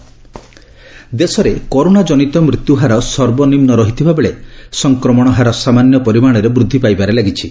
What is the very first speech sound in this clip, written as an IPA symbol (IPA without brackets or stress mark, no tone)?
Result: d̪